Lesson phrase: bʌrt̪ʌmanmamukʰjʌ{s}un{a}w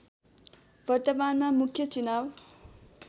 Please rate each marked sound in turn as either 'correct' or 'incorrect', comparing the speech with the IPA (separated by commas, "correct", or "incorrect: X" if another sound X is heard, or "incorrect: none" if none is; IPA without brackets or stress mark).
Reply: incorrect: t͡s, correct